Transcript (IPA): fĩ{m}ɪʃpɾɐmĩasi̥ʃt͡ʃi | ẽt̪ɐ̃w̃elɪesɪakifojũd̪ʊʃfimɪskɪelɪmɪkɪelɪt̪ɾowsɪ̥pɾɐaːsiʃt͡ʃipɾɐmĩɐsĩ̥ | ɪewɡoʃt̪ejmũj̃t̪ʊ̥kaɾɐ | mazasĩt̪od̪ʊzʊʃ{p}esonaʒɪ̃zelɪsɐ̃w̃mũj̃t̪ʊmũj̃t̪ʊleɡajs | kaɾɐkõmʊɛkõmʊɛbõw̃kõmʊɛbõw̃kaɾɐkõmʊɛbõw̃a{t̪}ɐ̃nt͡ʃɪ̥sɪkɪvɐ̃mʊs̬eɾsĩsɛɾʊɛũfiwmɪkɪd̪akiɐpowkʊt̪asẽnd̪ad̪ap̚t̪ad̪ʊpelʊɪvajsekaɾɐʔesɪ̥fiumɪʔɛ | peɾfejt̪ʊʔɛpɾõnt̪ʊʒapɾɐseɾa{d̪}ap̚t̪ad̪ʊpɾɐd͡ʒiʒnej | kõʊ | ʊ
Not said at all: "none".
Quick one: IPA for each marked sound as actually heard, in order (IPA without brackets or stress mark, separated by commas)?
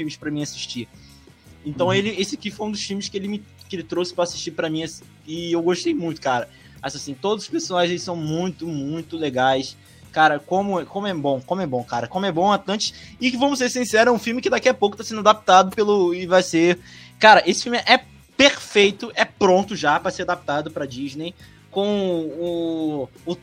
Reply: m, p, t̪, d̪